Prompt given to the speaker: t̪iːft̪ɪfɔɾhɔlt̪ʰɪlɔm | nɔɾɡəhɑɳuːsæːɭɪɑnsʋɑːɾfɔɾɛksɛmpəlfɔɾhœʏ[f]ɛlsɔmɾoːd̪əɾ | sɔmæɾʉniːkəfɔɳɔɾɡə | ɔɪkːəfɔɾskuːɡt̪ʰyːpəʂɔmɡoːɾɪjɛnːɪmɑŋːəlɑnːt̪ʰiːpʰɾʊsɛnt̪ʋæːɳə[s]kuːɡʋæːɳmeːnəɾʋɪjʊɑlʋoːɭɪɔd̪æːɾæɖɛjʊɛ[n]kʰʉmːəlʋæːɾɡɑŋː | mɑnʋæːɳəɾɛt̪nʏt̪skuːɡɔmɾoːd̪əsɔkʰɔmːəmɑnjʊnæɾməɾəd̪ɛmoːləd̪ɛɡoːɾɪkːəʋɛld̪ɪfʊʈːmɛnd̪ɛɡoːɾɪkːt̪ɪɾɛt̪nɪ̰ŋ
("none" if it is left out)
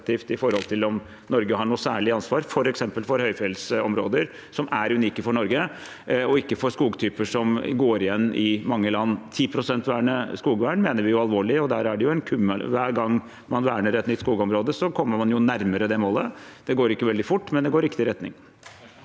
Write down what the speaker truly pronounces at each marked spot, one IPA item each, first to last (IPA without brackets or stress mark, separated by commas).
f, s, n